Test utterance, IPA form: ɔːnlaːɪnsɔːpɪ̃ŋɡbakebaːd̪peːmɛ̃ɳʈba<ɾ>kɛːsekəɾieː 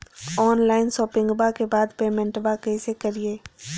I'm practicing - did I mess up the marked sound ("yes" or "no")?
yes